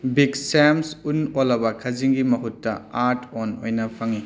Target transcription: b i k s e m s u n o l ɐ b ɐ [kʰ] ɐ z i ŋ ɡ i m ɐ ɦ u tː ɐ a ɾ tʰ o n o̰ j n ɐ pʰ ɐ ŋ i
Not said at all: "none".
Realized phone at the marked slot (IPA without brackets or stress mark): kʰ